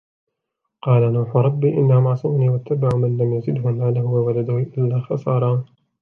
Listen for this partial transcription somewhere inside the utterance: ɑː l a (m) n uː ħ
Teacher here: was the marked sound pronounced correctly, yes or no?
no